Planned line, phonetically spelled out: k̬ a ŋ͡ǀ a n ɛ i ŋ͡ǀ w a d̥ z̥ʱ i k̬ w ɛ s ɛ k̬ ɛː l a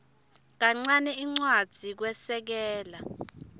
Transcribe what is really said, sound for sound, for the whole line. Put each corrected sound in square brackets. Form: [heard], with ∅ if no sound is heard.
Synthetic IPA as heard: k̬ a ŋ͡ǀ a n ɛ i ŋ͡ǀ w a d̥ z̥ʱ i k̬ w ɛ s ɛ k̬ ɛː l a